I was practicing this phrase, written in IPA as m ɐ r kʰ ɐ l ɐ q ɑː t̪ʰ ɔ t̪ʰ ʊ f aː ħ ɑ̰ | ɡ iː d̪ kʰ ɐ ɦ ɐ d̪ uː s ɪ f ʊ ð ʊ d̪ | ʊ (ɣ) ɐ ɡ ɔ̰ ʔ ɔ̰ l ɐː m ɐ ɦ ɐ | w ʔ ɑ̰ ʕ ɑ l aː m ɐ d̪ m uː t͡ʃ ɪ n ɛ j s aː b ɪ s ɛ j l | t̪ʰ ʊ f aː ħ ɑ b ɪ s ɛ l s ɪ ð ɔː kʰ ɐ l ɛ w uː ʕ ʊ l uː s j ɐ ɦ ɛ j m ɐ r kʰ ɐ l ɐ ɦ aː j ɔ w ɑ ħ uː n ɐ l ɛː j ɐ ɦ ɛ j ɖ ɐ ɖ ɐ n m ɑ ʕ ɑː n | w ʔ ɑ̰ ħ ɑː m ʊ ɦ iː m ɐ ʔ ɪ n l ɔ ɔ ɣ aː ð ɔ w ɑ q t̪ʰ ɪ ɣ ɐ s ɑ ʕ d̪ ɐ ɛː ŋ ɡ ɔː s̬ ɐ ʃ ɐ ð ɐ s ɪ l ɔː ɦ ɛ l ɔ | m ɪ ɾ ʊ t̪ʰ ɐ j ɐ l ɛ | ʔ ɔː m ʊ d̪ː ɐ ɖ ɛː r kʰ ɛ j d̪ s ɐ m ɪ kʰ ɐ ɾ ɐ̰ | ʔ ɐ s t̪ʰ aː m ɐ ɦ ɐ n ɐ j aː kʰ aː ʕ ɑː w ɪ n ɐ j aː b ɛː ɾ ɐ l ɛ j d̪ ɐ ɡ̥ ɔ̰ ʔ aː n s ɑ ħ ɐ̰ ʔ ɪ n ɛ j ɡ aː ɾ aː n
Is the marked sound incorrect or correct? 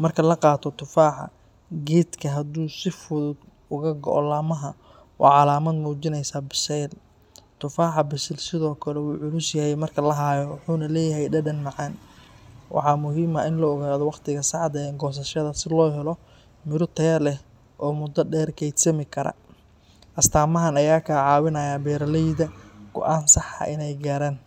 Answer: correct